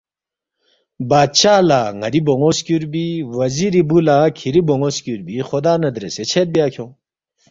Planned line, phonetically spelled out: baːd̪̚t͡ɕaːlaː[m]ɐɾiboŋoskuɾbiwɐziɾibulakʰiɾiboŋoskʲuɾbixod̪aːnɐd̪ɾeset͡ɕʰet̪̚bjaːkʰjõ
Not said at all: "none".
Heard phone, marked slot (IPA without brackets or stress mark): ŋ